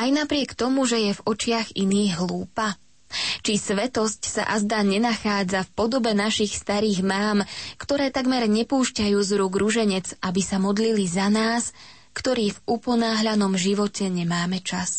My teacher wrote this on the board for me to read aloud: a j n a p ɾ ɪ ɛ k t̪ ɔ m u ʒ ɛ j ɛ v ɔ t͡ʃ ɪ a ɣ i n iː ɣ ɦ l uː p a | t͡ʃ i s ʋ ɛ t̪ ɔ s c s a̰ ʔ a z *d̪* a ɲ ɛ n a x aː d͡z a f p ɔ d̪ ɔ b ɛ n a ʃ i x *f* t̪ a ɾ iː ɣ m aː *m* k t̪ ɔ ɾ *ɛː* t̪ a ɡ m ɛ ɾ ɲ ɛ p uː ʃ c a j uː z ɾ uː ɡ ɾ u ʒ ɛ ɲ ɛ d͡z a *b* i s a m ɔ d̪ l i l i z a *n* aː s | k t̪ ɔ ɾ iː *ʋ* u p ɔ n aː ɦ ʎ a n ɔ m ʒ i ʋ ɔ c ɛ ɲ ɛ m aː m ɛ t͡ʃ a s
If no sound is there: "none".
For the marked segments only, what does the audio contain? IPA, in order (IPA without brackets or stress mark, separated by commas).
d̪, s, m, ɛː, b, n, v